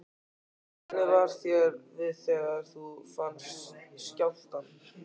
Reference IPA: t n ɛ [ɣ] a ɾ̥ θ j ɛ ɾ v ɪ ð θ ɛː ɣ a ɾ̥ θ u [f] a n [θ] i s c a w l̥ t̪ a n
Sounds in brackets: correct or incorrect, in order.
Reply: incorrect, correct, incorrect

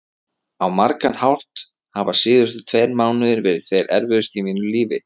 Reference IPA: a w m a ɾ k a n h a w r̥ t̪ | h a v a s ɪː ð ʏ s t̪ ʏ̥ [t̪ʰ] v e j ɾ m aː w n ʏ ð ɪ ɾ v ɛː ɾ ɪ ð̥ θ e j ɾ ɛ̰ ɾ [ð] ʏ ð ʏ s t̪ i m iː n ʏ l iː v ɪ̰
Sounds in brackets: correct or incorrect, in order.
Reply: correct, incorrect

